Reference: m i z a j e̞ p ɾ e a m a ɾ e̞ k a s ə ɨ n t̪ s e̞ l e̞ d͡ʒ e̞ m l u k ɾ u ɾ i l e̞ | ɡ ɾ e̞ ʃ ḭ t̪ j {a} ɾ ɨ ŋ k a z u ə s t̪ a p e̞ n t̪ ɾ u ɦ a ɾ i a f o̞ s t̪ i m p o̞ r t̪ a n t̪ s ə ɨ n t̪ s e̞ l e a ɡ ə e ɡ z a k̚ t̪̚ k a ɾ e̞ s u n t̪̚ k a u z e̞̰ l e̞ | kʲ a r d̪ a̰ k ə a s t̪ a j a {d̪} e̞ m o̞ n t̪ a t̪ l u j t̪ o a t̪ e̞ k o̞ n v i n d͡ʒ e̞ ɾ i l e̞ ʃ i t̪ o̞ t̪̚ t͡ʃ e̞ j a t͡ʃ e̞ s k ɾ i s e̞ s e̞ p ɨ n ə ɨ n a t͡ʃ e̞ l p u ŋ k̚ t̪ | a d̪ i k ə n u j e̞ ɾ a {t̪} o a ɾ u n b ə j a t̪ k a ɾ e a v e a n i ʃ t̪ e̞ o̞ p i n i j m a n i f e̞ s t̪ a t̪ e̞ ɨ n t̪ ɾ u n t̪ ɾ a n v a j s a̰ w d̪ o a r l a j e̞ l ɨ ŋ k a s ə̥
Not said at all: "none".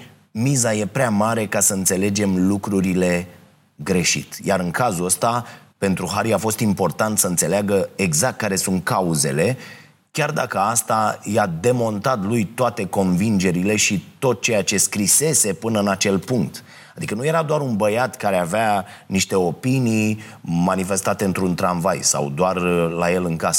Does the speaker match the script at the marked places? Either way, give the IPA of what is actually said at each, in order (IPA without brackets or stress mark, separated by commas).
a, d̪, d̪